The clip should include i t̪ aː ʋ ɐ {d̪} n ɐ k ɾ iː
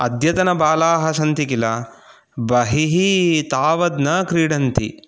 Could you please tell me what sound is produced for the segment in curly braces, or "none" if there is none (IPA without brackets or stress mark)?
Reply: d̪